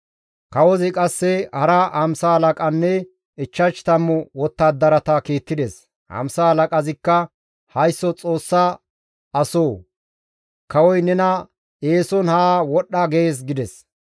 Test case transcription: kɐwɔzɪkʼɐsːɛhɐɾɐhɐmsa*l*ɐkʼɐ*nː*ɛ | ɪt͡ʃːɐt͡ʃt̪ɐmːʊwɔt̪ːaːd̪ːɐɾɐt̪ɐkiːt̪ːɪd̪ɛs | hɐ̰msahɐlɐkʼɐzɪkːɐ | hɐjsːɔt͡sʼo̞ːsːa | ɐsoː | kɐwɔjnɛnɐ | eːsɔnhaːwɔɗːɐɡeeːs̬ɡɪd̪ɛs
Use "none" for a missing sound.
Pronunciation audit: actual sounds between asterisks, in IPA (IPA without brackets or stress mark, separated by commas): l, nː